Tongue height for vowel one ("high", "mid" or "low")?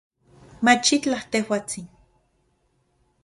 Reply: low